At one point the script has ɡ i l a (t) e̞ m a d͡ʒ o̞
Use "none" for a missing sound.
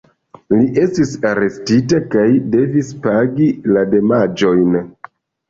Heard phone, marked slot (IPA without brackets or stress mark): d